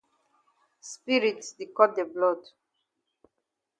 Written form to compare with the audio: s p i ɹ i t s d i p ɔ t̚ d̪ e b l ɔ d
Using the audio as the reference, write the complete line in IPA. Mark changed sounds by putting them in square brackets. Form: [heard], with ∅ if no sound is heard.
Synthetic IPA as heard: s p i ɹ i t s d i [k] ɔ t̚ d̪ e b l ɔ d